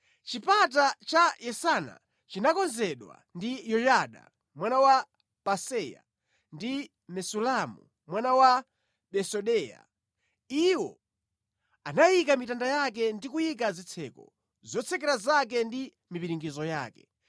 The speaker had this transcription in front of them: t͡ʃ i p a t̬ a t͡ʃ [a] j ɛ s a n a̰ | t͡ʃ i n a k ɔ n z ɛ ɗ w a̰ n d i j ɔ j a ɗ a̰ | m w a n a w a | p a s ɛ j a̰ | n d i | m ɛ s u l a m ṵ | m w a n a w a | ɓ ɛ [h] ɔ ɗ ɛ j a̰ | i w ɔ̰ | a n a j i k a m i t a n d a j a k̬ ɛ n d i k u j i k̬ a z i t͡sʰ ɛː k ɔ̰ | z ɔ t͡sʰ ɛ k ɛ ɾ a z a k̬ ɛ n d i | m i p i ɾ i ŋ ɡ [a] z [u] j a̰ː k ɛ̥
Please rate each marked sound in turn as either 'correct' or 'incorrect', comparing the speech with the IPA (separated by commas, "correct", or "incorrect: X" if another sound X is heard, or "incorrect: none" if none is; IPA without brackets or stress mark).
correct, incorrect: s, incorrect: i, incorrect: ɔ